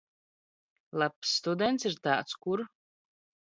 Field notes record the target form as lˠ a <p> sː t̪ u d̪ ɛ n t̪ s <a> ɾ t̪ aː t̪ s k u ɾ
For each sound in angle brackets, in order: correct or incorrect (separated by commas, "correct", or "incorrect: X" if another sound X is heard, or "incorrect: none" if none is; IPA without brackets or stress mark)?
correct, incorrect: i